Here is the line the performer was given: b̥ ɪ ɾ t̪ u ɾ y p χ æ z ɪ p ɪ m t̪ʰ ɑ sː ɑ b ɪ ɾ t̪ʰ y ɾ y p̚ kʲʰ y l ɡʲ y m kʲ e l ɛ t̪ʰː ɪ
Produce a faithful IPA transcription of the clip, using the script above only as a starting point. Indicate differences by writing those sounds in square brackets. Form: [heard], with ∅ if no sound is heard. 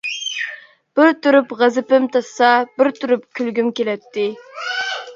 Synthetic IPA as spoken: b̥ ɪ ɾ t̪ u ɾ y p [ʁ] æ z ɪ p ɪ m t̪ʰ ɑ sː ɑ b ɪ ɾ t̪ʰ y ɾ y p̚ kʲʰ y l ɡʲ y m kʲ e l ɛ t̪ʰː ɪ